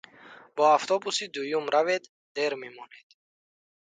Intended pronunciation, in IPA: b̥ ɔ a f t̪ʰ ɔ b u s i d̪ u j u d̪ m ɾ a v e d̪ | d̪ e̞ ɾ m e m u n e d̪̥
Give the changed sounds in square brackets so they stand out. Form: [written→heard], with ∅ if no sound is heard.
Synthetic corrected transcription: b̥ ɔ a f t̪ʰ ɔ b u s i d̪ u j u [d̪→∅] m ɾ a v e d̪ | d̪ e̞ ɾ m e m [u→ɔ] n e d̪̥